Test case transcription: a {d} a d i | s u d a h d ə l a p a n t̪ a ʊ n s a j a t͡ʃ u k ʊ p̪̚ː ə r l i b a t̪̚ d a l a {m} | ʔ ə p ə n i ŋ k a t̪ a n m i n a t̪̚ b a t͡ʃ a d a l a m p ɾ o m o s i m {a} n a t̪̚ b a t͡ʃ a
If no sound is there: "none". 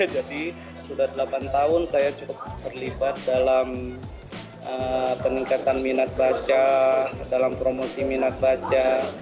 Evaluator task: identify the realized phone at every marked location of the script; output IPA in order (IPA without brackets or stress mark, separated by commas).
d͡ʒ, m, i